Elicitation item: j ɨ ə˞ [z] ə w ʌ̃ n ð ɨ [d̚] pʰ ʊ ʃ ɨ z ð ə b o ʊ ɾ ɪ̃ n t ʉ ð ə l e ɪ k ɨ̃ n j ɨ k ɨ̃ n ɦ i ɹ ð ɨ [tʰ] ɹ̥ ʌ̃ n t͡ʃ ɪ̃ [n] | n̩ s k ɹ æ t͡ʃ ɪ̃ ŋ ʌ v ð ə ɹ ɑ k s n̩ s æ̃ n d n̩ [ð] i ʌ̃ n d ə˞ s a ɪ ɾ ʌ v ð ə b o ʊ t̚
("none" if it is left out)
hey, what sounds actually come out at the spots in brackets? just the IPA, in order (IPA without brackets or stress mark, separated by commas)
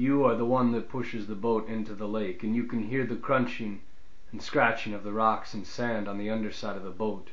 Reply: ð, t̚, kʰ, ŋ, ð